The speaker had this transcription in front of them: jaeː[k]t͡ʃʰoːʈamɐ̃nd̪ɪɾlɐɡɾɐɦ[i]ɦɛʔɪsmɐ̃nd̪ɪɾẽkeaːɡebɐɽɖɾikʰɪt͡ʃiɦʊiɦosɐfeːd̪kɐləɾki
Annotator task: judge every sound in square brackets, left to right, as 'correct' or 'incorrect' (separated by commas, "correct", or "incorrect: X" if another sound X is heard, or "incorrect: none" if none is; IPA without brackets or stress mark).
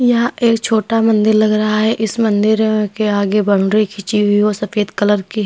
correct, incorrect: a